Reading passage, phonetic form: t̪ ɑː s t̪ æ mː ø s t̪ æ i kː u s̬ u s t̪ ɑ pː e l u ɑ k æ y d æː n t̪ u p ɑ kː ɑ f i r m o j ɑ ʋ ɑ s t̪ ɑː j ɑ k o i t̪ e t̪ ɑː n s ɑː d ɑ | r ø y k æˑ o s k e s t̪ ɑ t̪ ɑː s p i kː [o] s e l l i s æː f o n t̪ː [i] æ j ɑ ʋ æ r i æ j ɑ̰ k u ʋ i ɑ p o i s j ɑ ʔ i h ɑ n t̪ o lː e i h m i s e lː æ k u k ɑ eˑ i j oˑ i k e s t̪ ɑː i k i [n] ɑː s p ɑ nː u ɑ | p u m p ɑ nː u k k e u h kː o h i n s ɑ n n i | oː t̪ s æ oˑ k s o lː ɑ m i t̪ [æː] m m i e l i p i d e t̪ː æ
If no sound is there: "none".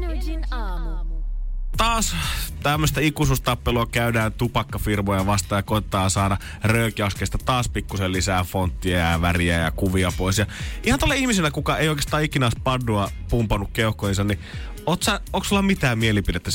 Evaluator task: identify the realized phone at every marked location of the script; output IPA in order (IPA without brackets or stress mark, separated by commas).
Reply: u, i, n, æː